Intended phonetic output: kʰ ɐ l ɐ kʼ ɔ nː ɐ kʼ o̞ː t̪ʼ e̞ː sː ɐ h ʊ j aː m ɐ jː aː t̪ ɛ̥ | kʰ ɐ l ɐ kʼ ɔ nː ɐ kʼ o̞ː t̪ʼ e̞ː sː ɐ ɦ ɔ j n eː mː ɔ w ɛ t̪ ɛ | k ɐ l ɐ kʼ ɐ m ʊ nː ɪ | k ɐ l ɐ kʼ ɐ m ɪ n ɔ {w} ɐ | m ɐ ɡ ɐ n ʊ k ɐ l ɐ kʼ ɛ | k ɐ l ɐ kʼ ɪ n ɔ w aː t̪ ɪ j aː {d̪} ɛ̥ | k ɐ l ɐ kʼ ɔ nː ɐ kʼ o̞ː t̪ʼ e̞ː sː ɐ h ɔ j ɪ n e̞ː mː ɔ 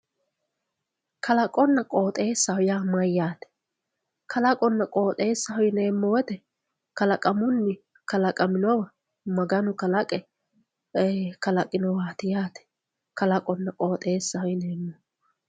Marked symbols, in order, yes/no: yes, no

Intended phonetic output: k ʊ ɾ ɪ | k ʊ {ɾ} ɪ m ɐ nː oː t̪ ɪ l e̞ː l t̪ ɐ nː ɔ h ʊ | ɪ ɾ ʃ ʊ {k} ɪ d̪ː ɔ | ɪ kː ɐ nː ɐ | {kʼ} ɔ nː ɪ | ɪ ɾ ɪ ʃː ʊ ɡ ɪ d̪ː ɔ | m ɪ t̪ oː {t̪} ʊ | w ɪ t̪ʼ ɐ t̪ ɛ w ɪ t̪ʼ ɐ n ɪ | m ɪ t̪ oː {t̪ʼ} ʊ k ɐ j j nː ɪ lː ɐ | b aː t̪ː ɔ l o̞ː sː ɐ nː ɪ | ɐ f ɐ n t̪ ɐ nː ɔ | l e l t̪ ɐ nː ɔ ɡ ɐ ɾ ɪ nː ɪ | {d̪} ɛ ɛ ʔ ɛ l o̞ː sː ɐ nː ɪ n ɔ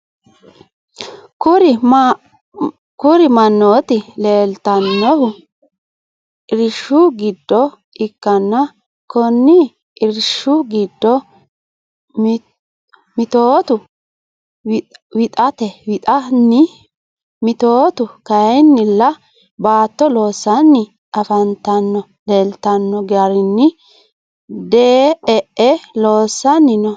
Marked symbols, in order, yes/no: yes, no, no, yes, no, yes

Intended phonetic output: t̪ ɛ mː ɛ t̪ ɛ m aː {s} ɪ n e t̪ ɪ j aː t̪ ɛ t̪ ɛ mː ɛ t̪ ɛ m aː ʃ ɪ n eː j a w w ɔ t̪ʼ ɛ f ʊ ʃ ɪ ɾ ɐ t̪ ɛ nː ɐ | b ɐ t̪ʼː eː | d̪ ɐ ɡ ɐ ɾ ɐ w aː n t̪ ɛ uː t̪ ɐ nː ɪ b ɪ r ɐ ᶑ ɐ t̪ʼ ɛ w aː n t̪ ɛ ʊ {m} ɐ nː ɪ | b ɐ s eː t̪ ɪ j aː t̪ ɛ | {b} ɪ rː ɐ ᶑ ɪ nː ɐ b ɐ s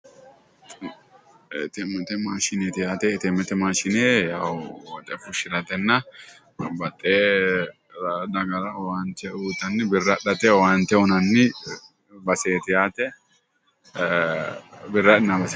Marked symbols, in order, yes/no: no, no, yes

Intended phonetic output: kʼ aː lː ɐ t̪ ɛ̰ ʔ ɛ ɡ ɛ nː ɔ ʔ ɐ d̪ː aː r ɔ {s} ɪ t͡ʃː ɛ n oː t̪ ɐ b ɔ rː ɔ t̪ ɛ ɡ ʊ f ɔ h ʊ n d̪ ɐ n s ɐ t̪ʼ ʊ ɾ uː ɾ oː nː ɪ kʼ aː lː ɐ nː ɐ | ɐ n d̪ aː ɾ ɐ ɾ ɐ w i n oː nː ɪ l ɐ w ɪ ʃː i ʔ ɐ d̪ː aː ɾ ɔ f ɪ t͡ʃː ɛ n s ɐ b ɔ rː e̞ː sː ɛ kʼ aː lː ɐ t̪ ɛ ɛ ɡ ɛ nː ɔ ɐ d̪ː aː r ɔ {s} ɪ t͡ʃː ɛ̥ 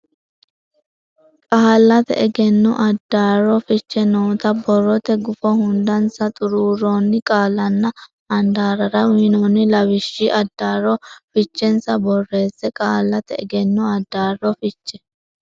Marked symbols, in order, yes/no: no, no

